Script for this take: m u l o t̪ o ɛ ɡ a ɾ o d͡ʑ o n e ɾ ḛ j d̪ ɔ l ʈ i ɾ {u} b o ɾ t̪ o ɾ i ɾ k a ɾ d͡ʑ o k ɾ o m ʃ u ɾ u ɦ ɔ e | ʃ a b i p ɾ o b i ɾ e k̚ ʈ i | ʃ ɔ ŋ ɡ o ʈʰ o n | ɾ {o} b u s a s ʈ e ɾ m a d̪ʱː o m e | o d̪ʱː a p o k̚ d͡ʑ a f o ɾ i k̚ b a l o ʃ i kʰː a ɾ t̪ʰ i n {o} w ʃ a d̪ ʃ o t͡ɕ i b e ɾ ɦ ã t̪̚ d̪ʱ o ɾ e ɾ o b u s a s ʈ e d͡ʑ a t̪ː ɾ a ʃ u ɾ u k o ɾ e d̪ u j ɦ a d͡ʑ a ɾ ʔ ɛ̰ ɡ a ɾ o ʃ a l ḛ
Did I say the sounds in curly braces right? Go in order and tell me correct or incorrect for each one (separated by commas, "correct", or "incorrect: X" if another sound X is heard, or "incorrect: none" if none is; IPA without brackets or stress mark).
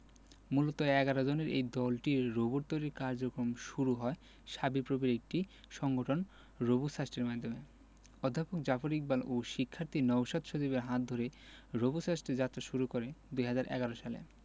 incorrect: o, correct, incorrect: ɔ